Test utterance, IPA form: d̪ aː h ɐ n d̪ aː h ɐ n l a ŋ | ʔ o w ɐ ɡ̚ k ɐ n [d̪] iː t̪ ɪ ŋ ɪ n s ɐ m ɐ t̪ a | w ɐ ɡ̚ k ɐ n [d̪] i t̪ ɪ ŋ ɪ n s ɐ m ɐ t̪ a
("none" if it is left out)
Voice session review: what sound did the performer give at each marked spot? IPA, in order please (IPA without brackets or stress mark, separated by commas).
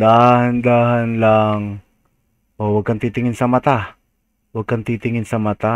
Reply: t̪, t̪